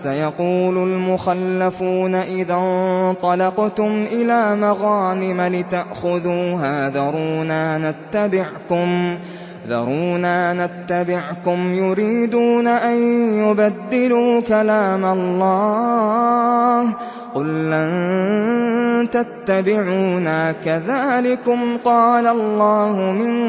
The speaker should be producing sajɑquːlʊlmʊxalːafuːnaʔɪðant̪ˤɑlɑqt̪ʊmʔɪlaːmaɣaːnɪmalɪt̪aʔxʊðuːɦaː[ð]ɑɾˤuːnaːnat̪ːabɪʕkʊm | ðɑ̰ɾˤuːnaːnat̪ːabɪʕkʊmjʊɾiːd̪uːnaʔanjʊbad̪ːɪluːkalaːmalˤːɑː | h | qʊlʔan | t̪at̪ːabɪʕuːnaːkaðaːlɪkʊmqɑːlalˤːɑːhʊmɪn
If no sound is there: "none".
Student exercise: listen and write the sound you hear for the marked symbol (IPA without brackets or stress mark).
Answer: ð